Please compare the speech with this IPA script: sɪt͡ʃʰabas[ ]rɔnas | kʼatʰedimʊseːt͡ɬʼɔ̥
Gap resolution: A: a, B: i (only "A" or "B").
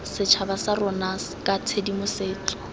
A